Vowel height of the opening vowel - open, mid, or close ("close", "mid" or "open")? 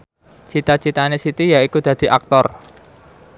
close